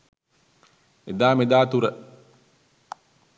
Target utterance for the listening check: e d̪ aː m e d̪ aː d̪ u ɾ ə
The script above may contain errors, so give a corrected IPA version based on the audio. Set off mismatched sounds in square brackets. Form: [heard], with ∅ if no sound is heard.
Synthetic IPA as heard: e d̪ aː m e d̪ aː [t̪] u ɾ ə